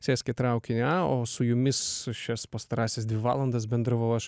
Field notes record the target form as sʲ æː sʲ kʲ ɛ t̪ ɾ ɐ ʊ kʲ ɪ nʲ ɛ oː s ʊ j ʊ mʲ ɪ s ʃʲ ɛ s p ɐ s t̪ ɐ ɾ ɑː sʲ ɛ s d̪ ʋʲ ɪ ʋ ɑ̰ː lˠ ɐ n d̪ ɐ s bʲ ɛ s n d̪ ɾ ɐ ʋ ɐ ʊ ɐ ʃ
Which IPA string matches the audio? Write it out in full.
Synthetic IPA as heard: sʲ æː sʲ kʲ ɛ t̪ ɾ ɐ ʊ kʲ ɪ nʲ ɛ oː s ʊ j ʊ mʲ ɪ s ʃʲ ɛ s p ɐ s t̪ ɐ ɾ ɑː sʲ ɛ s d̪ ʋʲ ɪ ʋ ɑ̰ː lˠ ɐ n d̪ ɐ s bʲ ɛ n d̪ ɾ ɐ ʋ ɐ ʊ ɐ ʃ